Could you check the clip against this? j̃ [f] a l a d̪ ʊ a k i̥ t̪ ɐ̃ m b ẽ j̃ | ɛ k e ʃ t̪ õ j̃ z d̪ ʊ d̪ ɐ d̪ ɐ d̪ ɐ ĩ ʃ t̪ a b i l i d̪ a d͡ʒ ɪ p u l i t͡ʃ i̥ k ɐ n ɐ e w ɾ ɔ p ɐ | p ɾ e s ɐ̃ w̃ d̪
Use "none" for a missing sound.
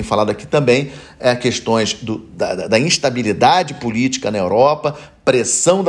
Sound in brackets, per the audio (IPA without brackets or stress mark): f